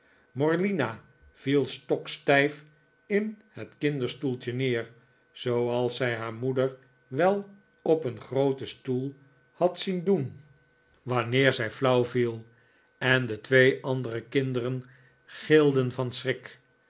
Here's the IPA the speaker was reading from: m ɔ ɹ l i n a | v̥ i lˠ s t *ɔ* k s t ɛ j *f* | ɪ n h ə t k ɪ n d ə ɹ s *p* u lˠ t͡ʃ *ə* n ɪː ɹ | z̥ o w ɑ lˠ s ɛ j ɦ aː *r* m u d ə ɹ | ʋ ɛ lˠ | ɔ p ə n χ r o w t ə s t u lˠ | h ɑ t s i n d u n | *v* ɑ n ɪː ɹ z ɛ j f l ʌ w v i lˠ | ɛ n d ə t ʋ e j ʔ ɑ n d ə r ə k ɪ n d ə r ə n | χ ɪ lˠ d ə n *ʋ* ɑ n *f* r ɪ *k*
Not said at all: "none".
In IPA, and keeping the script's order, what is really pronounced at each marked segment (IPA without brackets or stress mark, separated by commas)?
ɔ, f, t, ə, ɹ, ʋ, v, s, k